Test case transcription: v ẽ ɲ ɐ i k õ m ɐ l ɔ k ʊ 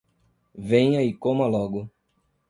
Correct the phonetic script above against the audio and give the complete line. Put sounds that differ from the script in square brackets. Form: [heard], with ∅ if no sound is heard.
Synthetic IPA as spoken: v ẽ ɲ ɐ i k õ m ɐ l ɔ [ɡ] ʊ